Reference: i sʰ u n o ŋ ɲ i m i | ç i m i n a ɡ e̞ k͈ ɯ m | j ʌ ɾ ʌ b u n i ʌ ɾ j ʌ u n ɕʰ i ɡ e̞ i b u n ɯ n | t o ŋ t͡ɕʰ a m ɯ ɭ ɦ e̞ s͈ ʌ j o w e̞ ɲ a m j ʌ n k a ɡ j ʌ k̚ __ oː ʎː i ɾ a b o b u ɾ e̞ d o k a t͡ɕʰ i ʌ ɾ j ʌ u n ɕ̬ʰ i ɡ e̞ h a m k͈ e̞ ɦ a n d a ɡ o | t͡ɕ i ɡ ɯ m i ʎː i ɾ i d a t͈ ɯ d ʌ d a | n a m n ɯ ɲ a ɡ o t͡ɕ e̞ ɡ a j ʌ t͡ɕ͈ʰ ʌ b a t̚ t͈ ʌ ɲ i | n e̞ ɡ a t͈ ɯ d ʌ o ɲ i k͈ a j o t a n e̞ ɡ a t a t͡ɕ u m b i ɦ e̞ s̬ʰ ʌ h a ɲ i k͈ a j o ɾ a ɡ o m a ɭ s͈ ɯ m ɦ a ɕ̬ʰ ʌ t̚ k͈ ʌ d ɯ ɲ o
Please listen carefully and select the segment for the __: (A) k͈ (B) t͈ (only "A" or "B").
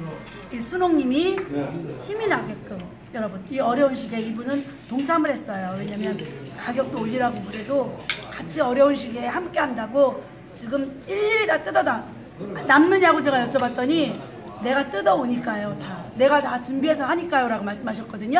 B